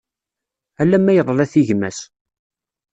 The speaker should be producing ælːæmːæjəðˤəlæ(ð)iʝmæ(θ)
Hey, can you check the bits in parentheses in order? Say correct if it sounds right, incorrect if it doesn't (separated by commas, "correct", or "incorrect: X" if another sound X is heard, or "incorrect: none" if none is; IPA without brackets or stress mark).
incorrect: θ, incorrect: s